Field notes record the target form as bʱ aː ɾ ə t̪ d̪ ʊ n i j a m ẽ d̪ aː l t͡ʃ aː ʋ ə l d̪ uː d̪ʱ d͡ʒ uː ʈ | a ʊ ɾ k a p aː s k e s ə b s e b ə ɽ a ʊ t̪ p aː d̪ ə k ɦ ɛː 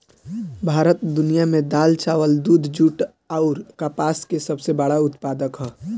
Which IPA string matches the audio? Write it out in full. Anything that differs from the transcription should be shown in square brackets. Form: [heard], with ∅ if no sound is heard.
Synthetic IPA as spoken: bʱ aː ɾ ə t̪ d̪ ʊ n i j a m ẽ d̪ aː l t͡ʃ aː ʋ ə l d̪ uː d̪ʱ d͡ʒ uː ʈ | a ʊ ɾ k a p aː s k e s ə b s e b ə ɽ a ʊ t̪ p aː d̪ ə k ɦ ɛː